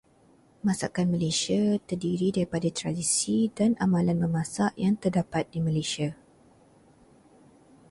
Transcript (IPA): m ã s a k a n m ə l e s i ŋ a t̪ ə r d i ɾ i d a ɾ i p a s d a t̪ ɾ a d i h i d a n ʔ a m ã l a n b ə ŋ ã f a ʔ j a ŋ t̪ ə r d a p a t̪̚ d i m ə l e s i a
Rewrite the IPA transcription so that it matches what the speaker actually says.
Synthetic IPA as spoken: m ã s a k a n m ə l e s i a t̪ ə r d i ɾ i d a ɾ i p a d a t̪ ɾ a d i s i d a n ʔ a m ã l a n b ə m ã s a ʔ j a ŋ t̪ ə r d a p a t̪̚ d i m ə l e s i a